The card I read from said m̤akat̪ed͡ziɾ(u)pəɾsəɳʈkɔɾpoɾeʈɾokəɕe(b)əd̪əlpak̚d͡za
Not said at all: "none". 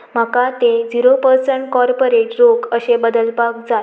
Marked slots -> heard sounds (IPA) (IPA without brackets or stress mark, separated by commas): o, b